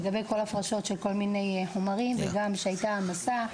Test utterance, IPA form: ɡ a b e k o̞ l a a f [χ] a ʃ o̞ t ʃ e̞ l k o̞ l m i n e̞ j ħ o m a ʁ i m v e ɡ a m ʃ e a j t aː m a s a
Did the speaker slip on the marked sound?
yes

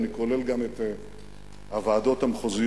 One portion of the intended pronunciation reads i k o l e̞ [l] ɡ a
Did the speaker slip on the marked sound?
no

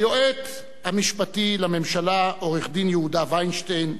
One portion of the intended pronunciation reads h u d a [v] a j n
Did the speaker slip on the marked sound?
no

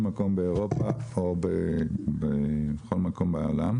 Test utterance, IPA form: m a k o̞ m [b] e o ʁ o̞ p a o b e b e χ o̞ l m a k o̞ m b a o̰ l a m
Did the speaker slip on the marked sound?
no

